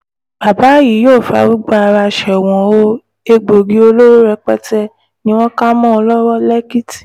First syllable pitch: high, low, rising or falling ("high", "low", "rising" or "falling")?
low